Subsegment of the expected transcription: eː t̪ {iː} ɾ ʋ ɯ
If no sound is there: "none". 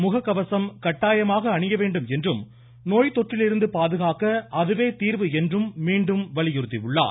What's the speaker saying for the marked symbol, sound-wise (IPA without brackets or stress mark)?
iː